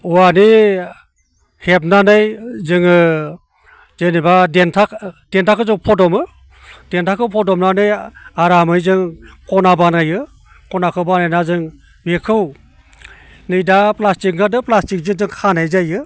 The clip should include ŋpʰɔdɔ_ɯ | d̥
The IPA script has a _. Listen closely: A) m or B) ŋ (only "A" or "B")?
A